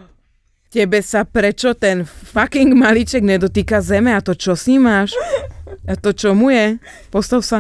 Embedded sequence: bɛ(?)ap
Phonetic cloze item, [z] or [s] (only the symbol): s